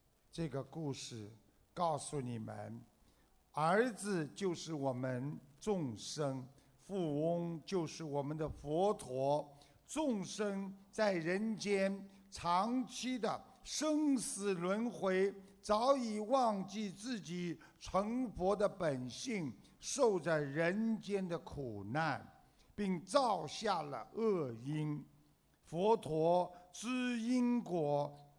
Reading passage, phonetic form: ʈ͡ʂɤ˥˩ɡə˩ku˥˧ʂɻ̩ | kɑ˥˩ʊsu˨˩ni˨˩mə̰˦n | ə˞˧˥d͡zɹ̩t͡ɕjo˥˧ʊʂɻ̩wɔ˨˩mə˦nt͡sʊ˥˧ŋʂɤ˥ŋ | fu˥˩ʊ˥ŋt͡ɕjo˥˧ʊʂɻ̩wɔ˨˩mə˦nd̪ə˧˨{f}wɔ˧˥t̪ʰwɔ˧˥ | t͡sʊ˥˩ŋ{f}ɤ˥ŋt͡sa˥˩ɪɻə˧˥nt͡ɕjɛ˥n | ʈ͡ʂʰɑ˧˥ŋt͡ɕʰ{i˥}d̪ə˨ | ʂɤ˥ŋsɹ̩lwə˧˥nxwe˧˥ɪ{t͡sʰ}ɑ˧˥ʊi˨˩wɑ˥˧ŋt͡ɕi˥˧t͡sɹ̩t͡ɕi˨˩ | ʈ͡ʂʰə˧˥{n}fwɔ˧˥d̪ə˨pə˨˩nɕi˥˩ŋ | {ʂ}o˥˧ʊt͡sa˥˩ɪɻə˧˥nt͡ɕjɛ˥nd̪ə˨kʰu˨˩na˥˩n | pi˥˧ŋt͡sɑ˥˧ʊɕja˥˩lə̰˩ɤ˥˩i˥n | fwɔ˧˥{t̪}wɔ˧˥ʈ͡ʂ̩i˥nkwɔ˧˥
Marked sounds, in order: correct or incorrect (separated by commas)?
correct, incorrect, correct, incorrect, incorrect, correct, incorrect